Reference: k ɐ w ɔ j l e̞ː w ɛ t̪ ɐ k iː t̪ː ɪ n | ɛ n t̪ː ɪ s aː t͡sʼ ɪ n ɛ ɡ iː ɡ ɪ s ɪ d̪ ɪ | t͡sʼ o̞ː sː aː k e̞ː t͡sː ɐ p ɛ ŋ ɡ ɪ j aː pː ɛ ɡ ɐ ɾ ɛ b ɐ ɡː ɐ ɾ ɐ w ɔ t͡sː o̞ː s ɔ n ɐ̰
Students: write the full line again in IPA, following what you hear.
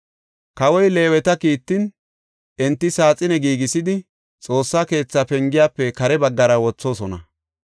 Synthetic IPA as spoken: k ɐ w ɔ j l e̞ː w ɛ t̪ ɐ k iː t̪ː ɪ n | ɛ n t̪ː ɪ s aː t͡sʼ ɪ n ɛ ɡ iː ɡ ɪ s ɪ d̪ ɪ | t͡sʼ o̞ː sː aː k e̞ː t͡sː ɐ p ɛ ŋ ɡ ɪ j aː pː ɛ k ɐ ɾ ɛ b ɐ ɡː ɐ ɾ ɐ w ɔ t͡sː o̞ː s ɔ n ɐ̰